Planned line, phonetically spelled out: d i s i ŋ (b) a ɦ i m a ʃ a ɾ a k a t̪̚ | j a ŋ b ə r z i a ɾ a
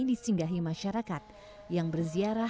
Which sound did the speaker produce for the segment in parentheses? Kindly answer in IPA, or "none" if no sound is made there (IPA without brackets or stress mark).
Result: ɡ